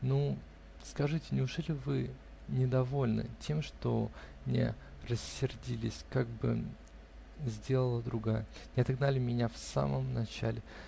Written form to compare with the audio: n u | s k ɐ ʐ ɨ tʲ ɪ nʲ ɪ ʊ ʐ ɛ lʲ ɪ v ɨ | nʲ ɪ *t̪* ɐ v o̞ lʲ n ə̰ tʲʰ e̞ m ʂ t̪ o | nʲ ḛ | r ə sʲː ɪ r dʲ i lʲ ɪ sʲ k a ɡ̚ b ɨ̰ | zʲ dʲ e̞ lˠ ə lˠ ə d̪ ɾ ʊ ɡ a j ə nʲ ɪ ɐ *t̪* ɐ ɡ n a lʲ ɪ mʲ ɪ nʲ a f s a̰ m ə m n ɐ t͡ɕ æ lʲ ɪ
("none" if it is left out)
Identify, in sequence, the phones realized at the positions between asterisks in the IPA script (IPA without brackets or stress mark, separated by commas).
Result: d̪, t̪